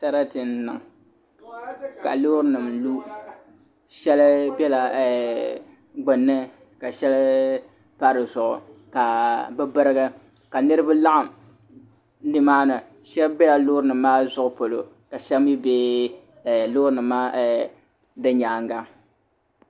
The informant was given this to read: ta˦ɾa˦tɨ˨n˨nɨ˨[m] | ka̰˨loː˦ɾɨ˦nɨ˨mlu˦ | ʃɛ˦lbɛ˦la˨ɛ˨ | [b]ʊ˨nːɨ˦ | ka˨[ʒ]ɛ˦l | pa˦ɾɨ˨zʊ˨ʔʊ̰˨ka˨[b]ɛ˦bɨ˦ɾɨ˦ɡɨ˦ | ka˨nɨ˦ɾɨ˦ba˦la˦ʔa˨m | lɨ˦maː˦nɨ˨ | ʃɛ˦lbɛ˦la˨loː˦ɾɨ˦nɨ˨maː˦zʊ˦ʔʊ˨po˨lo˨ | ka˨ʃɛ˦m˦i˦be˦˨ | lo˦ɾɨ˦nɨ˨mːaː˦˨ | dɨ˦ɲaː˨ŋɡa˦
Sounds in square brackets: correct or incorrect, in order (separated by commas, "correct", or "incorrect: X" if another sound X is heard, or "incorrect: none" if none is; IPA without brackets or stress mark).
incorrect: ŋ, incorrect: ɡ͡b, incorrect: ʃ, correct